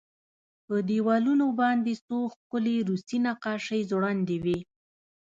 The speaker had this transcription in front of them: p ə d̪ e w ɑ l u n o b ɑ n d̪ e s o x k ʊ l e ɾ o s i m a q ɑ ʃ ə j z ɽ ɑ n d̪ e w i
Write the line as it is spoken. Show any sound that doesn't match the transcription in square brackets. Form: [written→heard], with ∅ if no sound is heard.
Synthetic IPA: p ə d̪ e w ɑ l u n o b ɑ n d̪ e s o x k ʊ l e ɾ [o→u] s i [m→n] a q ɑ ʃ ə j z ɽ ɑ n d̪ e w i